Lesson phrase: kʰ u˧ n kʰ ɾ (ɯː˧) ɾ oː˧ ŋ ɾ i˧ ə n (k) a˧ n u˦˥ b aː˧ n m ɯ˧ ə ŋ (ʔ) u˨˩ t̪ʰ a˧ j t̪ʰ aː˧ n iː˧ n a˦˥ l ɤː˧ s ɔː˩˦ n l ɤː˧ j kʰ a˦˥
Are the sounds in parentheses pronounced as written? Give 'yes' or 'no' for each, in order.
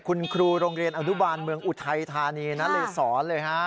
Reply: no, no, yes

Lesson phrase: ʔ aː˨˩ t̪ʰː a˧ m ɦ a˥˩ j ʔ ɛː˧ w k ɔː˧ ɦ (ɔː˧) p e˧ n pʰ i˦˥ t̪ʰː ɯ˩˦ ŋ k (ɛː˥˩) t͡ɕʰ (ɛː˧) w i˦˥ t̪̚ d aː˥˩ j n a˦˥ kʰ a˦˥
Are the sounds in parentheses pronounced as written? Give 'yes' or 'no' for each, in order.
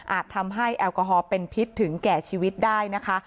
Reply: yes, no, no

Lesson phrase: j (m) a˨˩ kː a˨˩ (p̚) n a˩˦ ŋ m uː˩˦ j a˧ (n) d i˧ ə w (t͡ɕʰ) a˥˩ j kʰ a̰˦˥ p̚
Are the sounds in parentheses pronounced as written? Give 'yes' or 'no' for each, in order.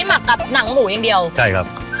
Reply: yes, yes, no, yes

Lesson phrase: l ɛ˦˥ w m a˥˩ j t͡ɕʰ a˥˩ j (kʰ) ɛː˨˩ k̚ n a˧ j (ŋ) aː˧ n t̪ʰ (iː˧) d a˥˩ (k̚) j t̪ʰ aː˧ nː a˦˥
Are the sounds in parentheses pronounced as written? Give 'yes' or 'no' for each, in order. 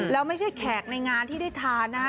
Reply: yes, yes, no, no

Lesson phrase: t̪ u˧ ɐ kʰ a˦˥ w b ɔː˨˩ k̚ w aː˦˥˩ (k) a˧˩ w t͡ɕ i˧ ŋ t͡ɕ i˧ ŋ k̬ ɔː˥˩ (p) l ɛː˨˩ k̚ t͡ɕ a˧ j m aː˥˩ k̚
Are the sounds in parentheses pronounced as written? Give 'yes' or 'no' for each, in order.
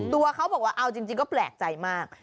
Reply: no, yes

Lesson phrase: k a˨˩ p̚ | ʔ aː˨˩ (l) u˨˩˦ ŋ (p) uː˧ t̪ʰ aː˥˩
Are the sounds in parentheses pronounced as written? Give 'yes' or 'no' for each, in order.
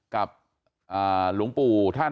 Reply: yes, yes

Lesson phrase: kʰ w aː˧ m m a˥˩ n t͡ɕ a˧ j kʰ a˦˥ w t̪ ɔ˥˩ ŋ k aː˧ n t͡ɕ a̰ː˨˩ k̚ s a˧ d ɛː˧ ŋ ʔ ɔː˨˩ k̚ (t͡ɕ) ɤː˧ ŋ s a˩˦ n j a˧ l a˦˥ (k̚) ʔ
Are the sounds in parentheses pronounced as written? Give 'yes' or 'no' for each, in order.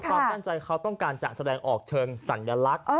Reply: no, yes

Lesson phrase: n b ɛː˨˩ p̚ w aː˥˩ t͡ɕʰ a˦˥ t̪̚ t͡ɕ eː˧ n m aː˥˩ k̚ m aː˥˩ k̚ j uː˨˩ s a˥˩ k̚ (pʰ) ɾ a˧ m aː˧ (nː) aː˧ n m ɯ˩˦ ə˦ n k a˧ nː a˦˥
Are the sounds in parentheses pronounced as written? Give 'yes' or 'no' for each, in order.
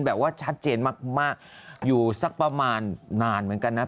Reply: no, yes

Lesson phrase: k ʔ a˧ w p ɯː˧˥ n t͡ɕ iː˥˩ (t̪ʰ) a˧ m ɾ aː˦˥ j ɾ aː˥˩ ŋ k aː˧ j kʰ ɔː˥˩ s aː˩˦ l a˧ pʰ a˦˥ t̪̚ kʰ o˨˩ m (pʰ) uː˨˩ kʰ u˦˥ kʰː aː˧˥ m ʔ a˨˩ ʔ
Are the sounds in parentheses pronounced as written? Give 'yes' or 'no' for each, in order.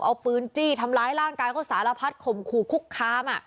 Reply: yes, no

